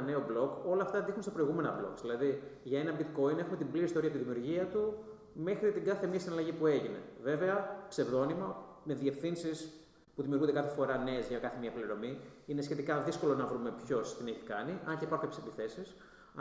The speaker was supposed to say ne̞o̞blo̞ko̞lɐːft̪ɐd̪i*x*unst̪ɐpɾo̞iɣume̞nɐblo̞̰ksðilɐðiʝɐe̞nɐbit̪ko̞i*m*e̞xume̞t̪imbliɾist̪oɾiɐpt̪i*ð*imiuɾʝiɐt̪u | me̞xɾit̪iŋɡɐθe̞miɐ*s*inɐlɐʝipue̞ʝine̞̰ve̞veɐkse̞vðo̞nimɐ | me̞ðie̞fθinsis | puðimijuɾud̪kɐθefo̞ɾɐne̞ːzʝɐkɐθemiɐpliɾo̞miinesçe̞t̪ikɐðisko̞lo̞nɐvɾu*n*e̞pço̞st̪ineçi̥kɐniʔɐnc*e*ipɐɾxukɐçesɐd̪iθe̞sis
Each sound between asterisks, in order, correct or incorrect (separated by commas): correct, incorrect, correct, correct, incorrect, correct